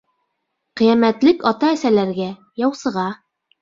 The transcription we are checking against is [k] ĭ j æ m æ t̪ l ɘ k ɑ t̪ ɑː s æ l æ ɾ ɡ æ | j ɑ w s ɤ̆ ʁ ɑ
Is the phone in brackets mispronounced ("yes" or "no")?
yes